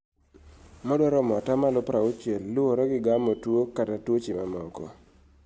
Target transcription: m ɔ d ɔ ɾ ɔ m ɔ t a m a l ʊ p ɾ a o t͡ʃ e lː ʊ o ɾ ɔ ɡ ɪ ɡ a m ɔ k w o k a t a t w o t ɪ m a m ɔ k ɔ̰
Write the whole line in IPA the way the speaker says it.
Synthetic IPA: m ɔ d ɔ ɾ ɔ m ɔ t a m a l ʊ p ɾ a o t͡ʃ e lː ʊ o ɾ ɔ ɡ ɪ ɡ a m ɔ t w o k a t a t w o t͡ʃ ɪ m a m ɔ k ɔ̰